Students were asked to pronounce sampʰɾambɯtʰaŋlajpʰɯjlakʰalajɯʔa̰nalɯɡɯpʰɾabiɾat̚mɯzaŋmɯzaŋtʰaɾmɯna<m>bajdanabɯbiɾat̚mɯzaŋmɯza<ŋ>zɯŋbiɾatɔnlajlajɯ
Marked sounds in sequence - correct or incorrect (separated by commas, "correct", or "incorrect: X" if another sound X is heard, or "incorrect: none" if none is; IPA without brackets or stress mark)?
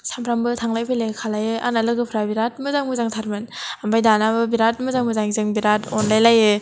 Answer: correct, correct